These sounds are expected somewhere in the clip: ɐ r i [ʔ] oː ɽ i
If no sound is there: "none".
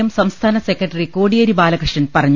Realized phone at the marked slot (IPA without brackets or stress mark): k